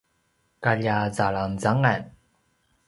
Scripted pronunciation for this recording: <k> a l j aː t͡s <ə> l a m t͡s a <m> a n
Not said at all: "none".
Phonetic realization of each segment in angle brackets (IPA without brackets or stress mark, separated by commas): k, a, ŋ